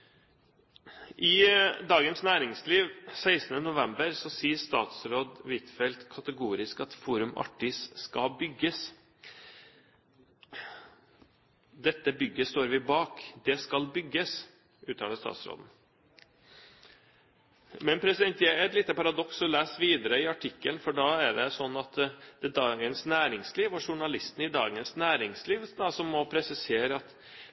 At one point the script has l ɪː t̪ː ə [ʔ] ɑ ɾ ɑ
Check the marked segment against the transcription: incorrect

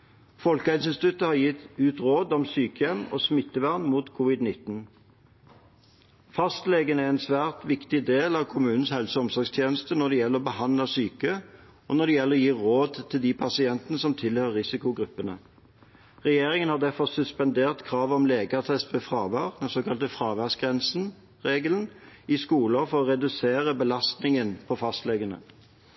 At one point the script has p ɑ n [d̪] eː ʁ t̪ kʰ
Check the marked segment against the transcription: correct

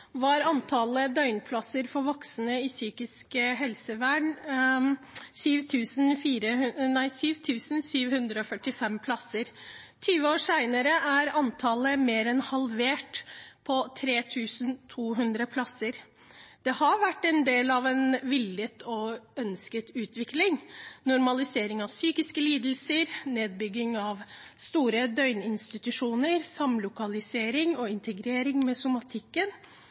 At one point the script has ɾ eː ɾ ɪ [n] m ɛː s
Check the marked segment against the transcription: incorrect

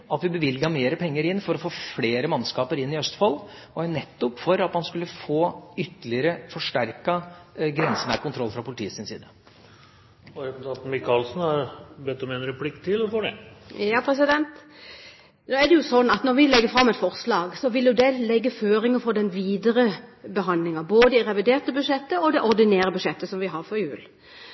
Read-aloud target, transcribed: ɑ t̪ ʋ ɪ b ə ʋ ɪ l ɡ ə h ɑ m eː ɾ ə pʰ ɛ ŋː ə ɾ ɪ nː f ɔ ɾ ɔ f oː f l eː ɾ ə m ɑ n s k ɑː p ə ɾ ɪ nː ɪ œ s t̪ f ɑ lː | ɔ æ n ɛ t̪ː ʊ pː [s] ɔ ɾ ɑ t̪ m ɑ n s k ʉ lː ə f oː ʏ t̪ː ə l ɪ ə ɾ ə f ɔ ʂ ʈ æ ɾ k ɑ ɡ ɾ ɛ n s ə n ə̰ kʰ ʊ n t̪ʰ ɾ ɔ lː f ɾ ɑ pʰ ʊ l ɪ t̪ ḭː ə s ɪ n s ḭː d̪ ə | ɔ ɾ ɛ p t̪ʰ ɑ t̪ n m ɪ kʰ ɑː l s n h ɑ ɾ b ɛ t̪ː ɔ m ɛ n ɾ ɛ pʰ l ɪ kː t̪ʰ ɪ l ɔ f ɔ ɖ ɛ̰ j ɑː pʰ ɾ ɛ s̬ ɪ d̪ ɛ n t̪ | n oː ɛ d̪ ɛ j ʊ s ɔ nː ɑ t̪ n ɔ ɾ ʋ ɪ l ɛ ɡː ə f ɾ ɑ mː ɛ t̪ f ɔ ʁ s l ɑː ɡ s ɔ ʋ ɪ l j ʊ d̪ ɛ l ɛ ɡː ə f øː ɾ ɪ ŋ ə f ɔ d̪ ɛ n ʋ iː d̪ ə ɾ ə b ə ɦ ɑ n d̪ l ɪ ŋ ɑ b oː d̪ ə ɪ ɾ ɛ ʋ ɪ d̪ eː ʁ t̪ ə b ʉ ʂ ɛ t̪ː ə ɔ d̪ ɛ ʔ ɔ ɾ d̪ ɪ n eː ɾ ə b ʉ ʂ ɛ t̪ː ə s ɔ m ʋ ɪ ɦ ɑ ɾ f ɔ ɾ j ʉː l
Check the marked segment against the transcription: incorrect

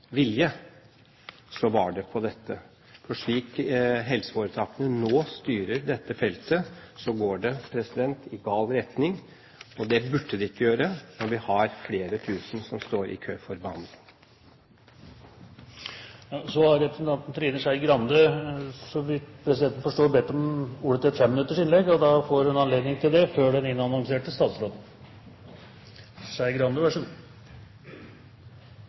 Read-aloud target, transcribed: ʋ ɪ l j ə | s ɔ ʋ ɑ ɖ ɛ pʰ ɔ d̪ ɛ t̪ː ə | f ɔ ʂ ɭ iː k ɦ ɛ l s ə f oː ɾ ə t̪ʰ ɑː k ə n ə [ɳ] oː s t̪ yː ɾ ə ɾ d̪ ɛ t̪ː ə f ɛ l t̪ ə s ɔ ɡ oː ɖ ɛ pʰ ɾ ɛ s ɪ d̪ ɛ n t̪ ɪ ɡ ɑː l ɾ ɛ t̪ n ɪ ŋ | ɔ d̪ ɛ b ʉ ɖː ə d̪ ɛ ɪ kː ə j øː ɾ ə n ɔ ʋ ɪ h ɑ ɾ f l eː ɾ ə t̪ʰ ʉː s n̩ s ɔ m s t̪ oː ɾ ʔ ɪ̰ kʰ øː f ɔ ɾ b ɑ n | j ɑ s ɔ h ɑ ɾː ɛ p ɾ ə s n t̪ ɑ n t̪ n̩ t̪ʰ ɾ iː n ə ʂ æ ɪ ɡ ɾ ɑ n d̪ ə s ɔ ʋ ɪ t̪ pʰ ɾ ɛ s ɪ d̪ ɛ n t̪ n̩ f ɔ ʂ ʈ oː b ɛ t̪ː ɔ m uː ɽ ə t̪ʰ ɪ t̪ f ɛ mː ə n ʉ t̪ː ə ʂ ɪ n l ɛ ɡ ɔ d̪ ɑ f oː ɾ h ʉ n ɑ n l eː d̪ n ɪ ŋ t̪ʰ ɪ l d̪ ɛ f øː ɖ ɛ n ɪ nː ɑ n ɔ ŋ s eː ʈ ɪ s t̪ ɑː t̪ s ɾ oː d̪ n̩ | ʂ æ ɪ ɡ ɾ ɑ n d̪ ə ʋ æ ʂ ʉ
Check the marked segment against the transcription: incorrect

